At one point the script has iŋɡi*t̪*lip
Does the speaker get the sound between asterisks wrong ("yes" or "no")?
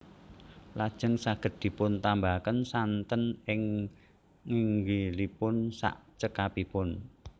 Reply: yes